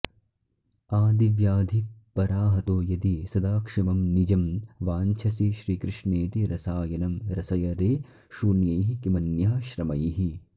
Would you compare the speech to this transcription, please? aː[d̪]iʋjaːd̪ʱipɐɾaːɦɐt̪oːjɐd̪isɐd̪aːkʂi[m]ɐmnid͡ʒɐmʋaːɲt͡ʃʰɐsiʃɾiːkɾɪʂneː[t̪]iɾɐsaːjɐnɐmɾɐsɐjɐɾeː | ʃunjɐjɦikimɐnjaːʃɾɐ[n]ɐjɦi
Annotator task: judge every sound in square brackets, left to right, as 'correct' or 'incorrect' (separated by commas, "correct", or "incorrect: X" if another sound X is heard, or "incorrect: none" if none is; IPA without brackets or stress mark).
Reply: correct, correct, correct, incorrect: m